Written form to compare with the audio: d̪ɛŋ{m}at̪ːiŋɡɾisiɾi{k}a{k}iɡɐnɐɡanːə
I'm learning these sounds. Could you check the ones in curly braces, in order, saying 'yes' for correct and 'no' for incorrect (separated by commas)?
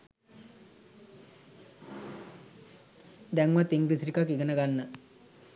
yes, yes, yes